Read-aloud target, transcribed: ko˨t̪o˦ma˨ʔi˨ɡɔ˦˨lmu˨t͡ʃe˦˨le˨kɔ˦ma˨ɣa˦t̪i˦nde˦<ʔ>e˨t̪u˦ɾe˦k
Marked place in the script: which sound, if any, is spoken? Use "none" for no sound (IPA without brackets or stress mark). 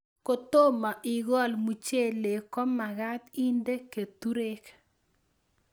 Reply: k